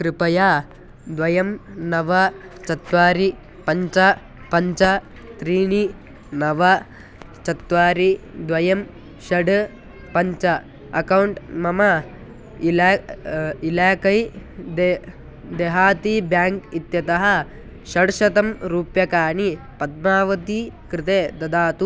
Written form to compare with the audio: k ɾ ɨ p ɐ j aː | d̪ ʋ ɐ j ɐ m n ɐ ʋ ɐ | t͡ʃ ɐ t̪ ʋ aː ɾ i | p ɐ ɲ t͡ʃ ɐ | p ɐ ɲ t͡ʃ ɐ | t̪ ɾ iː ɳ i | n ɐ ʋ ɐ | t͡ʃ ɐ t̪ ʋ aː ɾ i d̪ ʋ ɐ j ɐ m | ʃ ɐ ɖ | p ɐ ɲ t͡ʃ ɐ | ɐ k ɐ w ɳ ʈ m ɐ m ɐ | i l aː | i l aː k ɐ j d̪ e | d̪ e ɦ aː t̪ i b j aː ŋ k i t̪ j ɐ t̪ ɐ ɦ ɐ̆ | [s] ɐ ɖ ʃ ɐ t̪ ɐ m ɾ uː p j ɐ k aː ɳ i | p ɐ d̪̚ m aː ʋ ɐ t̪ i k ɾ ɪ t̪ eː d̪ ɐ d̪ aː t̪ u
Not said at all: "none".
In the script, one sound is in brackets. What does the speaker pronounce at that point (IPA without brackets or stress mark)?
ʃ